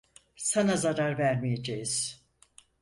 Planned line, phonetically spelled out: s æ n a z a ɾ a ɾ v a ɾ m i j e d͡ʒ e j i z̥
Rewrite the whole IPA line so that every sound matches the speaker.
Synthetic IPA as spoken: s a n a z a ɾ a ɾ v æ ɾ m i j e d͡ʒ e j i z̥